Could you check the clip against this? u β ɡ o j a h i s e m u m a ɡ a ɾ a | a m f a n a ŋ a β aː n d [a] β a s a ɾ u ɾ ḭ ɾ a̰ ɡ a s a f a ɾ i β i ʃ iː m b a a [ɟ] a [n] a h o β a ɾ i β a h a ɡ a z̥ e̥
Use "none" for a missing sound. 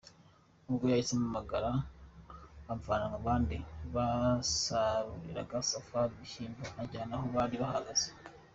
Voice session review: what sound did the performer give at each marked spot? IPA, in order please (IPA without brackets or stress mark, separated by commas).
i, ɟ, n